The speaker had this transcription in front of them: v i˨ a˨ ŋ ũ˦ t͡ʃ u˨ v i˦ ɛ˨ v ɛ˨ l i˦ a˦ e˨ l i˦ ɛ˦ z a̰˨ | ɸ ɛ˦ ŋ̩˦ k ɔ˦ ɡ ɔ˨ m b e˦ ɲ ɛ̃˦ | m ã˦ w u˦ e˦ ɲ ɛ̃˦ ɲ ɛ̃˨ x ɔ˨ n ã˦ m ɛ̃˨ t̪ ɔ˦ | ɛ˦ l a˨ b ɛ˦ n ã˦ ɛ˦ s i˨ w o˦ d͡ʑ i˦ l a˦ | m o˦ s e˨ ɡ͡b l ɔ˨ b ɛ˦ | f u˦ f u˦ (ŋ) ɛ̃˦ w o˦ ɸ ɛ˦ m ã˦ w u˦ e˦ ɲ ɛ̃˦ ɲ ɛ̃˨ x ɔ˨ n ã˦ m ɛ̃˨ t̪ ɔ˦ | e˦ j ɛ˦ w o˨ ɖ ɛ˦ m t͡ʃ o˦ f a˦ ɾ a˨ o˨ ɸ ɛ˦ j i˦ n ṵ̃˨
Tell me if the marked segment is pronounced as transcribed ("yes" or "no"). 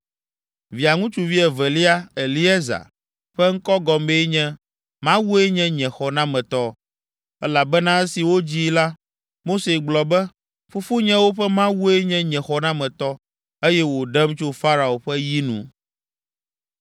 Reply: no